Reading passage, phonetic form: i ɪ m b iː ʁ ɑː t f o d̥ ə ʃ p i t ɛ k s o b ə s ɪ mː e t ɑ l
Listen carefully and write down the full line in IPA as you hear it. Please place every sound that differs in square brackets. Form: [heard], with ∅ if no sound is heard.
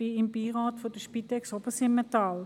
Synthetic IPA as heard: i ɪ m b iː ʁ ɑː t f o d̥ ə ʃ p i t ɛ k s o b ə s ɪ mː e t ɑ l